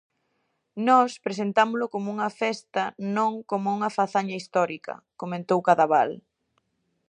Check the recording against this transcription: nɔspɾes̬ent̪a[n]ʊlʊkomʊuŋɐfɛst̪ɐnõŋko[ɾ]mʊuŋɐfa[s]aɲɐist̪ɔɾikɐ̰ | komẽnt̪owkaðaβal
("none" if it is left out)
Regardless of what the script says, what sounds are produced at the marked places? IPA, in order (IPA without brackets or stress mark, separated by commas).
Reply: m, none, θ